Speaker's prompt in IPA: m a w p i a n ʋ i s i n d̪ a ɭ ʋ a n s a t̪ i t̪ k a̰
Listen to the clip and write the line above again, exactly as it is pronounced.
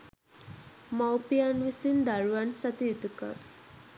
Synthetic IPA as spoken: m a w p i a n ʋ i s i n d̪ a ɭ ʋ a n s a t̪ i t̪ k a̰